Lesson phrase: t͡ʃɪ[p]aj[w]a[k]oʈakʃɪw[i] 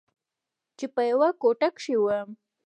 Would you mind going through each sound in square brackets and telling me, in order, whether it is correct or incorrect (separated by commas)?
correct, correct, correct, incorrect